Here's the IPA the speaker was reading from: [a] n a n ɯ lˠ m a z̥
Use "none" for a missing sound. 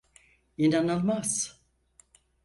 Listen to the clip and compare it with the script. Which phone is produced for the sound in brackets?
i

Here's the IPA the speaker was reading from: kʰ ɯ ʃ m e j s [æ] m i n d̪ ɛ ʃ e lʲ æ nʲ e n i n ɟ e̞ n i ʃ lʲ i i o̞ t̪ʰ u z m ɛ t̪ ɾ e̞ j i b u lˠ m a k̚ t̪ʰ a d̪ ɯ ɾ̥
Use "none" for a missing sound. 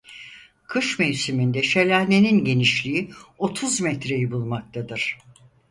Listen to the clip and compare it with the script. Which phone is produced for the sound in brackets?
i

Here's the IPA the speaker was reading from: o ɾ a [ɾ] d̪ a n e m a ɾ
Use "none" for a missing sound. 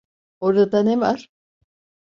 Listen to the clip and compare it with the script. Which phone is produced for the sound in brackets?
none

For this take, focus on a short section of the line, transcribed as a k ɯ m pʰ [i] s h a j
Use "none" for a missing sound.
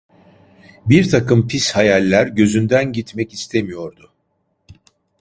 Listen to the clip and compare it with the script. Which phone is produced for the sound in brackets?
i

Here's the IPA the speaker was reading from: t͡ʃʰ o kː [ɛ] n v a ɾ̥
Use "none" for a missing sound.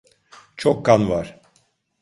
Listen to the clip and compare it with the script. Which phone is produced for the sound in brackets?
a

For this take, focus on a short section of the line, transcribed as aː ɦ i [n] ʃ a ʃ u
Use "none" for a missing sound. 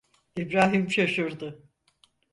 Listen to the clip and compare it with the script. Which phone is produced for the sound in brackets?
m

